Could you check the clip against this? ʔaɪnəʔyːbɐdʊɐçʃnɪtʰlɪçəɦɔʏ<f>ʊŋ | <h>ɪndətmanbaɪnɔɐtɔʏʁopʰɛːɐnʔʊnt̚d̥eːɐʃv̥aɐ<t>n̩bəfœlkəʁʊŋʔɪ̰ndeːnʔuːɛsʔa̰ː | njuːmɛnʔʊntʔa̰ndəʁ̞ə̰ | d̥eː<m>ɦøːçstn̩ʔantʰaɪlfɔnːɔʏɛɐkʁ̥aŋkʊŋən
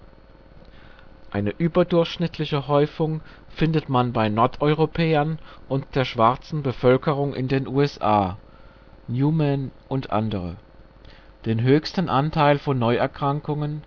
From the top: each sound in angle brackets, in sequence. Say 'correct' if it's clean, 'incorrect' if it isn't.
correct, incorrect, incorrect, incorrect

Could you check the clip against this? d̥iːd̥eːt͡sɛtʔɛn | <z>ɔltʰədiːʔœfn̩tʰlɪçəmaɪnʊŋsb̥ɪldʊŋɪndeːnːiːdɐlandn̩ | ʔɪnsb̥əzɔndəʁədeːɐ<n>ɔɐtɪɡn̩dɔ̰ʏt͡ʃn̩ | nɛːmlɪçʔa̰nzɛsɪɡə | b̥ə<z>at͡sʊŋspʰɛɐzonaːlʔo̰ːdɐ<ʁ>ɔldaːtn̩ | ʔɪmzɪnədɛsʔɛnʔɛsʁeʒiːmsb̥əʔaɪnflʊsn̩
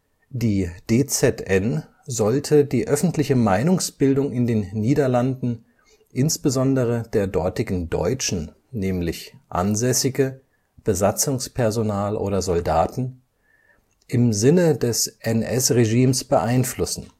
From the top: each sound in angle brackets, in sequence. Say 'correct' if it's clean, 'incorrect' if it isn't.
correct, incorrect, correct, incorrect

